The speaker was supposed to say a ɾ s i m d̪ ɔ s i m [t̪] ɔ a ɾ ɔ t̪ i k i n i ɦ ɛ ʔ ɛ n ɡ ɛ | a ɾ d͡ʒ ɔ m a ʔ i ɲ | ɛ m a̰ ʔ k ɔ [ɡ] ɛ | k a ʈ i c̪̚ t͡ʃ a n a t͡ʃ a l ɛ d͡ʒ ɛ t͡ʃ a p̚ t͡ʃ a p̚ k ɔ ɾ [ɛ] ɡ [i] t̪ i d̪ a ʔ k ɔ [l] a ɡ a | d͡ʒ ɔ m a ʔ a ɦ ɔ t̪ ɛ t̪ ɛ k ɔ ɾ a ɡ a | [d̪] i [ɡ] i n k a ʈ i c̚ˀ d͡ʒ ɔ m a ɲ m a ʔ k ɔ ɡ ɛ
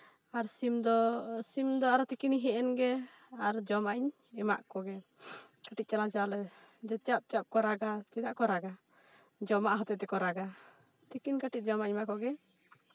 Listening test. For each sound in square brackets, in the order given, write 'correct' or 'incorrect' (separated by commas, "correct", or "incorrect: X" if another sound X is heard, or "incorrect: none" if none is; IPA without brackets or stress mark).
incorrect: d̪, correct, incorrect: a, incorrect: a, incorrect: ɾ, incorrect: t̪, incorrect: k